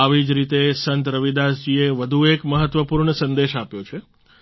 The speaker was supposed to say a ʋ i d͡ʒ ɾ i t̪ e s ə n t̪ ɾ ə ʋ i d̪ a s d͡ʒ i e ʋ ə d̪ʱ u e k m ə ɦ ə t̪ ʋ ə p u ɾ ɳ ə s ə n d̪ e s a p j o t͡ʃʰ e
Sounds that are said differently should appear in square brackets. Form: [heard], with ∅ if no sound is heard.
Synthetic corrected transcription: a ʋ i d͡ʒ ɾ i t̪ e s ə n t̪ ɾ ə ʋ i d̪ a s d͡ʒ i e ʋ ə d̪ʱ u e k m ə ɦ ə t̪ ʋ ə p u ɾ ɳ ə s ə n d̪ e [ʃ] a p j o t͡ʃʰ e

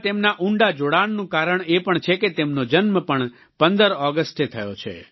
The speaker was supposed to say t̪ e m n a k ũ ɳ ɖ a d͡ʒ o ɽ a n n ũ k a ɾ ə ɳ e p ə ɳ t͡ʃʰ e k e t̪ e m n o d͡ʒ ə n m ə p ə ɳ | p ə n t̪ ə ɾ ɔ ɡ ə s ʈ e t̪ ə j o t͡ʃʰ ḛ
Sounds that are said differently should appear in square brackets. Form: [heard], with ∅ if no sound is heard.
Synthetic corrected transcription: t̪ e m n a [ʔ] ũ ɳ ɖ a d͡ʒ o ɽ a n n ũ k a ɾ ə ɳ e p ə ɳ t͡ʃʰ e k e t̪ e m n o d͡ʒ ə n m ə p ə ɳ | p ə n [d̪] ə ɾ ɔ ɡ ə s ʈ e [t̪ʰ] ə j o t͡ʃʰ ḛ

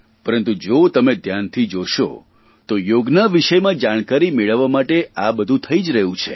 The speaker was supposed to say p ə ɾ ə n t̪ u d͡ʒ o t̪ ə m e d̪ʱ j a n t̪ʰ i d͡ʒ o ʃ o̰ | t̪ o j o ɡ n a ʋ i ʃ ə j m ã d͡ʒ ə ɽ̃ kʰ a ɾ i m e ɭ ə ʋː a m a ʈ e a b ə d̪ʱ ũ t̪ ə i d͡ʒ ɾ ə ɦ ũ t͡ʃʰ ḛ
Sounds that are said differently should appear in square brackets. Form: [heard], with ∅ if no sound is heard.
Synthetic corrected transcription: p ə ɾ ə n t̪ u d͡ʒ o t̪ ə m e d̪ʱ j a n t̪ʰ i d͡ʒ o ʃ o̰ | t̪ o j o ɡ n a ʋ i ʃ ə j m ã d͡ʒ [a] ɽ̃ [k] a ɾ i m e ɭ ə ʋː a m a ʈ e a b ə d̪ʱ ũ [t̪ʰ] ə i d͡ʒ ɾ ə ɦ ũ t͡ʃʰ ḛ

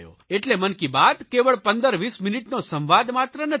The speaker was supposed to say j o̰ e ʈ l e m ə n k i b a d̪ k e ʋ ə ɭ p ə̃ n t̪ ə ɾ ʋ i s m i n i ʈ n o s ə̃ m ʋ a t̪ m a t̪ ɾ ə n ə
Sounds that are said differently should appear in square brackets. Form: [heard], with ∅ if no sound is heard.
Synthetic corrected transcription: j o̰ e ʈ l e m ə n k i b a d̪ k e ʋ ə ɭ p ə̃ n [d̪] ə ɾ ʋ i s m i n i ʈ n o s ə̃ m ʋ a [d̪] m a t̪ ɾ ə n ə

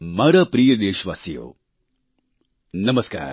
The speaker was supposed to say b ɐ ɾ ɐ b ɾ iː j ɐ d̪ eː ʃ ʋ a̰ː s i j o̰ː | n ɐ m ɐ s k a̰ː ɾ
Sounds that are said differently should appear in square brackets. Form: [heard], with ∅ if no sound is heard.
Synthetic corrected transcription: [m] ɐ ɾ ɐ [p] ɾ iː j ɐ d̪ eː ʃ ʋ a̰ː s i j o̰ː | n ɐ m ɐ s k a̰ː ɾ

